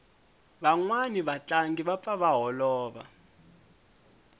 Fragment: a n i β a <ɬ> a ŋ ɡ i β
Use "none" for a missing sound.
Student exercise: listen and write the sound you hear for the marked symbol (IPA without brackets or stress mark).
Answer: t͡ɬ